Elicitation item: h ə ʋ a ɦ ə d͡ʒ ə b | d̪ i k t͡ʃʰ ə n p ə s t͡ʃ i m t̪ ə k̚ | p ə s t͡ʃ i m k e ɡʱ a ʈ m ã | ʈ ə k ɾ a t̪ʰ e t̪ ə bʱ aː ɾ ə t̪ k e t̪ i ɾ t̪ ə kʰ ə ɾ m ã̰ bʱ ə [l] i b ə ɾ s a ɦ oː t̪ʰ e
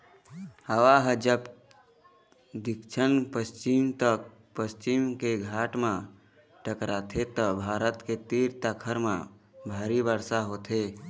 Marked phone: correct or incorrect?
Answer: incorrect: ɾ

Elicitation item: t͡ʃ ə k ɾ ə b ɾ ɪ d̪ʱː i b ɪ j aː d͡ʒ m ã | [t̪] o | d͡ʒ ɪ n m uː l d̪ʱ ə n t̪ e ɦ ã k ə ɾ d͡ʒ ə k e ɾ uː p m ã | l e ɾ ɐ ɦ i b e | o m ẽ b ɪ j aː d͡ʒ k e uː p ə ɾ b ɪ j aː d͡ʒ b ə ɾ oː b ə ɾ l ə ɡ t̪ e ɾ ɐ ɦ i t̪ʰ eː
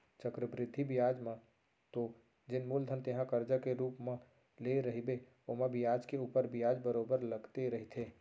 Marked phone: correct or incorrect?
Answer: correct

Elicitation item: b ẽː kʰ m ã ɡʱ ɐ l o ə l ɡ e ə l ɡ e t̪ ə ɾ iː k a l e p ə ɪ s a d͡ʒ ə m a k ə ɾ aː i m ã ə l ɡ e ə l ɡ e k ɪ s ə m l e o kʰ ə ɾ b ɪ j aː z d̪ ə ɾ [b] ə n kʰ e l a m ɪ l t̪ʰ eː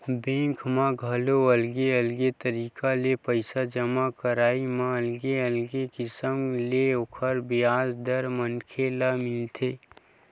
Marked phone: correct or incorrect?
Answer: incorrect: m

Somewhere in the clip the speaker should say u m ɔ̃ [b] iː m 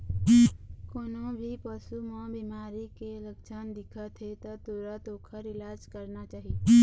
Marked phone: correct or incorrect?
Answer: correct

